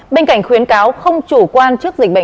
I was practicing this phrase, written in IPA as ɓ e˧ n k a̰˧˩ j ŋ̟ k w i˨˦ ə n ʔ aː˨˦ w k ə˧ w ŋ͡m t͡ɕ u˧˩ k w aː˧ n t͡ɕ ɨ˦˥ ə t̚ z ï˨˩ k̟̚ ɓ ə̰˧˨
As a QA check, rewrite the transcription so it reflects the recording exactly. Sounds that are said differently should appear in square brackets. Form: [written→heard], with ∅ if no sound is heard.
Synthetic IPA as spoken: ɓ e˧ n k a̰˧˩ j ŋ̟ [k→x] w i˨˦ ə n [ʔ→k] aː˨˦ w [k→x] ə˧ w ŋ͡m t͡ɕ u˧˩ k w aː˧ n t͡ɕ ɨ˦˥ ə [t̚→k̚] z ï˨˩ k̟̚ ɓ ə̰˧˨